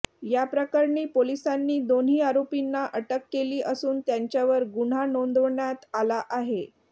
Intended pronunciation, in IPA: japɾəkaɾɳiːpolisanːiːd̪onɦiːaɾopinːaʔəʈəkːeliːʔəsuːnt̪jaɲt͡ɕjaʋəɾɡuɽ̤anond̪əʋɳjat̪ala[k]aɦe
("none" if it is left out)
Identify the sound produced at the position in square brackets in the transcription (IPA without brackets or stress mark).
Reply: ʔ